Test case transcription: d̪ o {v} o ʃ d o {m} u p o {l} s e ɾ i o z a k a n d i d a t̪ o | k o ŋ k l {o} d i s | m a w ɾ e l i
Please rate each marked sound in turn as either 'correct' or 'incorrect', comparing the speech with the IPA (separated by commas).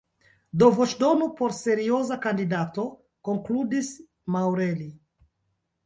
correct, incorrect, incorrect, incorrect